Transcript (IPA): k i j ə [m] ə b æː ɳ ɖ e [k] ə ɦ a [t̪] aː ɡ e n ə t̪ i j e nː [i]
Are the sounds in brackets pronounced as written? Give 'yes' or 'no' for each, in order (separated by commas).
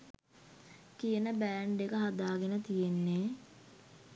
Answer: no, yes, no, no